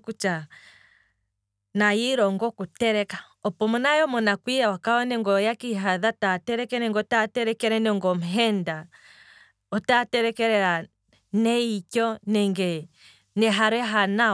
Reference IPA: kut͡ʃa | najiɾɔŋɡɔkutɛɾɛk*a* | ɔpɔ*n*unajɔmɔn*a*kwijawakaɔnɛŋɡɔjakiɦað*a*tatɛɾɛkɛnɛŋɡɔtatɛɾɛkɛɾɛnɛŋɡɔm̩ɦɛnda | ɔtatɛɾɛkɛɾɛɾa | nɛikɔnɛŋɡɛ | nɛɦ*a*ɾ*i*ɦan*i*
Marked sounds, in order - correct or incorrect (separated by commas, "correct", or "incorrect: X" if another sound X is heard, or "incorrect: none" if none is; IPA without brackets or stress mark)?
correct, incorrect: m, correct, correct, correct, incorrect: ɛ, incorrect: a